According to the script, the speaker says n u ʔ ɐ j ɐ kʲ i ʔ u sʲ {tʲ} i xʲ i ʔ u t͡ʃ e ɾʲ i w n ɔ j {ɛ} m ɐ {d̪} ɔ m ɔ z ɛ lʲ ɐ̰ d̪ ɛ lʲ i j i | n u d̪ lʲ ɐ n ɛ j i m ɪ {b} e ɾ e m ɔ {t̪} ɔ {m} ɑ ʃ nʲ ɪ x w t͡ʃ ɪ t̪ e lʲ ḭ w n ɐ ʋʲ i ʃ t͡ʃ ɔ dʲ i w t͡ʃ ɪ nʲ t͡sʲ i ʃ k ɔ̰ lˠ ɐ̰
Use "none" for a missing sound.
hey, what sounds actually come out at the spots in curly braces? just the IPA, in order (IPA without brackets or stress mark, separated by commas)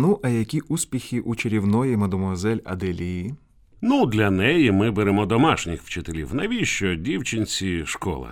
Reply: pʲ, i, d̪, b, d̪, m